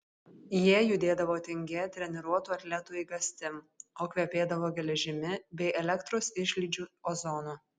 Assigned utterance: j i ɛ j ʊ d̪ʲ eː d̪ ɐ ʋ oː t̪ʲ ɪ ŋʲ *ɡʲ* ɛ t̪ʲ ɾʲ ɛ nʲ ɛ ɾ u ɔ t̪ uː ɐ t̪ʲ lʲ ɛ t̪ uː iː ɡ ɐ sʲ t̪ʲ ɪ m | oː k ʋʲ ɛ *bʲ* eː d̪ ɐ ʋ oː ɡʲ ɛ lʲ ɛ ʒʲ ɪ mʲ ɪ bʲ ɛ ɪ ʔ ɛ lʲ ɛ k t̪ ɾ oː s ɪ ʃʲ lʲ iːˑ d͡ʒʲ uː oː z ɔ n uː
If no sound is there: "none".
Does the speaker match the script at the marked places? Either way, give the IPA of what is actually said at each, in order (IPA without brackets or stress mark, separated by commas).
ɡʲ, pʲ